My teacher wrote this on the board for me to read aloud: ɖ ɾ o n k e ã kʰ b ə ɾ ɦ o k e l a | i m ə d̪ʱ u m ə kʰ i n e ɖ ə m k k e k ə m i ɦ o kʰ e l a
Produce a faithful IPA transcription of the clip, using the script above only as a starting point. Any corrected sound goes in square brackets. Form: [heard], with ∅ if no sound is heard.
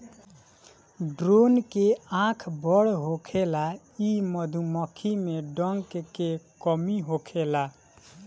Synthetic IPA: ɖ ɾ o n k e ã kʰ b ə [ɽ] ɦ o [kʰ] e l a | i m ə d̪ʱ u m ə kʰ i [m] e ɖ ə [ŋ] k k e k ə m i ɦ o kʰ e l a